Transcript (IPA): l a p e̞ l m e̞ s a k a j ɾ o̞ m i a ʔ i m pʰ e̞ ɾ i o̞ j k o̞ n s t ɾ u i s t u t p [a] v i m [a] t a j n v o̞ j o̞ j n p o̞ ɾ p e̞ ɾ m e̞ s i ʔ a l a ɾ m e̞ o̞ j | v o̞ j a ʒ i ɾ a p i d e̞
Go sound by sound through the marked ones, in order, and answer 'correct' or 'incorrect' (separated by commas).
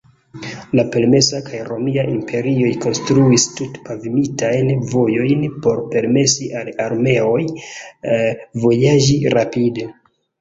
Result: correct, incorrect